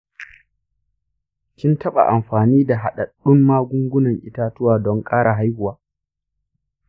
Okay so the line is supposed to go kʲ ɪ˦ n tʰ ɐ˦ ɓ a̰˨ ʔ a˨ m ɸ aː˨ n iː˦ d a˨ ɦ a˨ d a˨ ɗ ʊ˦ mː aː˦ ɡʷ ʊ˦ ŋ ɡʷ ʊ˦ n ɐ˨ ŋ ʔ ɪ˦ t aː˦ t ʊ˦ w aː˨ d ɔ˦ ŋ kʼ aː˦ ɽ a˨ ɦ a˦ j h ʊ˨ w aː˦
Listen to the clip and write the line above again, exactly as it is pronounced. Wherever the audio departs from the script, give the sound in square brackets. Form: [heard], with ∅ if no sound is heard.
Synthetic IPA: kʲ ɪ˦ n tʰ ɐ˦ ɓ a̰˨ ʔ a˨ m ɸ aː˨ n iː˦ d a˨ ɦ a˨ [ɗ] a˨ ɗ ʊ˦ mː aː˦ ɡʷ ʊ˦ ŋ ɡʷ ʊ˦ n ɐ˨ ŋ ʔ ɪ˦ t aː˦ t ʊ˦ w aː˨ d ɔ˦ ŋ kʼ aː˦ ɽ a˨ ɦ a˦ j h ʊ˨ w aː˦